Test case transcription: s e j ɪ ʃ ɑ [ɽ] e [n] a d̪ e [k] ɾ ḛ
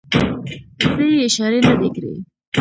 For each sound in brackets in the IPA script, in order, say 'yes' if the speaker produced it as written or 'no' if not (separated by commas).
no, yes, yes